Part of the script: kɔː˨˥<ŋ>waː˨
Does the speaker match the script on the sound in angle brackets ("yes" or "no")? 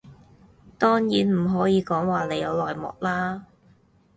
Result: yes